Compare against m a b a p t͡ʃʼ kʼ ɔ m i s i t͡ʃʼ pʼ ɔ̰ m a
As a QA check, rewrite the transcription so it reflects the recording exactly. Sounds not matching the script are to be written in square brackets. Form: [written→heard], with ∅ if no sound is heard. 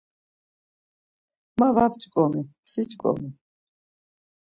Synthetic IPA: m a [b→v] a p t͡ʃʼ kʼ ɔ m i s i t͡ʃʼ [pʼ→kʼ] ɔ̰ m [a→i]